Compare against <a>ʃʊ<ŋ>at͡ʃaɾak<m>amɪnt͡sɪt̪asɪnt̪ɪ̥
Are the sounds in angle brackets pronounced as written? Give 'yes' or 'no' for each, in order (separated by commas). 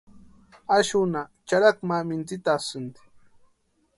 yes, no, yes